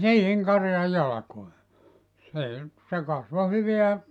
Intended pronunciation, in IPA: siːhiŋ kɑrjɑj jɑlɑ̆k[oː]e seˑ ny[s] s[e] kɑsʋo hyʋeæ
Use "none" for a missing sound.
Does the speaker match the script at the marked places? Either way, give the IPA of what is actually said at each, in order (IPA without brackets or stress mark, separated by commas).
o, t, e